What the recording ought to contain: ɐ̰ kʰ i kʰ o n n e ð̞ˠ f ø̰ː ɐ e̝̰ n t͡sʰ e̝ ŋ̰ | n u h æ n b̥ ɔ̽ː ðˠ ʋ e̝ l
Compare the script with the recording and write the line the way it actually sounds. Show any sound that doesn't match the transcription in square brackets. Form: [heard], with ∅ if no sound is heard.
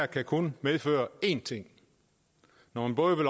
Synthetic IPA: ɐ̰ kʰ [æ] kʰ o n [m] e ð̞ˠ f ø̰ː ɐ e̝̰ n t͡sʰ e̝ ŋ̰ | n [ɒ] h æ n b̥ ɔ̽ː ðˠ ʋ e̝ l